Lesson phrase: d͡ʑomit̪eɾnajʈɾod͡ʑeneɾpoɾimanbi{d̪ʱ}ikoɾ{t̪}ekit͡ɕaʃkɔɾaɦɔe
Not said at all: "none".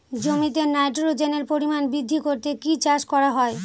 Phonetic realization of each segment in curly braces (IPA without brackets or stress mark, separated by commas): d̪ʱː, t̪